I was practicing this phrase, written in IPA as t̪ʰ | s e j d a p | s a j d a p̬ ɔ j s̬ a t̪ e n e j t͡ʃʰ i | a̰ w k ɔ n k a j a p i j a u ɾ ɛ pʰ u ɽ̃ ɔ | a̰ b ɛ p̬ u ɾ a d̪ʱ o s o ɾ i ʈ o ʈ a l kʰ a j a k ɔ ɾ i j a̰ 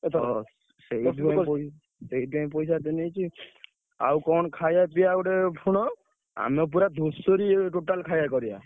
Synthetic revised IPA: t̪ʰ | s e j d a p | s e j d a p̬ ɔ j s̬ a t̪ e n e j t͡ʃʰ i | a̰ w k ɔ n kʰ a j a p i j a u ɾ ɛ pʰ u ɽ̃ ɔ | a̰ m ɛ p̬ u ɾ a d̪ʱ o s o ɾ i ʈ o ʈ a l kʰ a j a k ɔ ɾ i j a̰